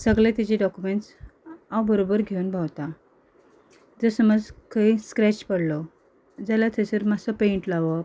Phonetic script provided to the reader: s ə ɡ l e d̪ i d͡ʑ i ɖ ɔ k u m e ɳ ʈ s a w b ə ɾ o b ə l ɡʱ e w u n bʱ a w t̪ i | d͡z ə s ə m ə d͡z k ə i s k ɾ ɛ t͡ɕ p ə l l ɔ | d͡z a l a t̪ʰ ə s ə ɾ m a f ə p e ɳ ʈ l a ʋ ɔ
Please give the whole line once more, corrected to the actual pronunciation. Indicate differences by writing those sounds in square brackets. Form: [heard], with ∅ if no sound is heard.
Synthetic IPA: s ə ɡ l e [t̪] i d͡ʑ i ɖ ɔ k u m e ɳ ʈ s a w b ə ɾ o b ə [ɾ] ɡʱ e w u n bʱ a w t̪ [a] | d͡z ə s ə m ə d͡z k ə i s k ɾ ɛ t͡ɕ p ə [ɽ] l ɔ | d͡z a l a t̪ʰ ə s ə ɾ m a [s] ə p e ɳ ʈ l a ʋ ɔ